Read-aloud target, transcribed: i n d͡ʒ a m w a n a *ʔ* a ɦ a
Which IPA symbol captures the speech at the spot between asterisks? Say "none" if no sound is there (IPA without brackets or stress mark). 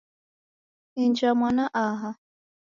ʔ